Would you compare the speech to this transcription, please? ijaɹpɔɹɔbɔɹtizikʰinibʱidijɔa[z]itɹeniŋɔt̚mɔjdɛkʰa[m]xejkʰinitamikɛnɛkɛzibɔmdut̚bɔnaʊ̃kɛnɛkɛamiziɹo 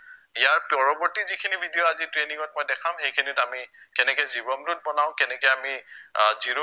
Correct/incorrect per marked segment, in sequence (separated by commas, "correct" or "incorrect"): correct, correct